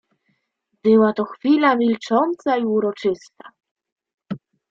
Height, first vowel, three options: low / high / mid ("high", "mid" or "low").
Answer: mid